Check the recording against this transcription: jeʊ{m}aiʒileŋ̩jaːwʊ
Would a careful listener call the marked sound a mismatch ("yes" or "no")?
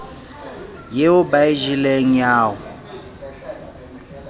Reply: yes